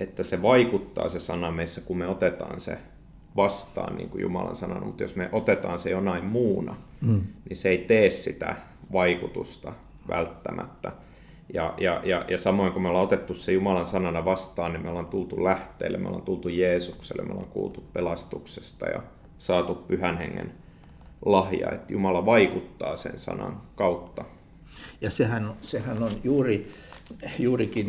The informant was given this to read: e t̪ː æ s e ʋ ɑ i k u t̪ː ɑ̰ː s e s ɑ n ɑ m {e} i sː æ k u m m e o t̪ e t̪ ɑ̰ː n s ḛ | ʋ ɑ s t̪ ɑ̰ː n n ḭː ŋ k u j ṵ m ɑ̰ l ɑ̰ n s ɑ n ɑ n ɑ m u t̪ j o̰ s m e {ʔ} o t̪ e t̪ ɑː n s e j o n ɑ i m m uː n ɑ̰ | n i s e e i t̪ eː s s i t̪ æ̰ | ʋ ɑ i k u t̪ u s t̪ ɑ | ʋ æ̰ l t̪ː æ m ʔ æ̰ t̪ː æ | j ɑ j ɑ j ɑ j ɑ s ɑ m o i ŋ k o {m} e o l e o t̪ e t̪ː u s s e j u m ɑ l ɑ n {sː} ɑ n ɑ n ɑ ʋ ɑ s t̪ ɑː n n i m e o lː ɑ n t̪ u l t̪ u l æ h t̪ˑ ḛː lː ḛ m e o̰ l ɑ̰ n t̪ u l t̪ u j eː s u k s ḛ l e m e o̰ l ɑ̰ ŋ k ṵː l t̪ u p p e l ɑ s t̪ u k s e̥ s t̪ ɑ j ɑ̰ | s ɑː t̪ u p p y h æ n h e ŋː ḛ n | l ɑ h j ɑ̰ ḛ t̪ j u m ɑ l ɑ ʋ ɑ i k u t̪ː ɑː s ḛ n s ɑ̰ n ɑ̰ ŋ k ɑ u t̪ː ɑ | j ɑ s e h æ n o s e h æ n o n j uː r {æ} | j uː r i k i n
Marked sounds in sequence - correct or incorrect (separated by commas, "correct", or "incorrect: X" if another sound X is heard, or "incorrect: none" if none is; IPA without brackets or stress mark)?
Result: correct, correct, correct, incorrect: s, incorrect: i